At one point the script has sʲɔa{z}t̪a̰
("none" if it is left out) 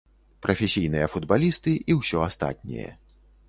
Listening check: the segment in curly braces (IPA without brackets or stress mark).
s